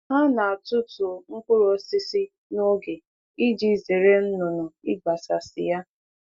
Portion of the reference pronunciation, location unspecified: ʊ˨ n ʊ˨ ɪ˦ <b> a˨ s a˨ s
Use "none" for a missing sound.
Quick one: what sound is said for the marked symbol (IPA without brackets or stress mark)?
ɡ͡b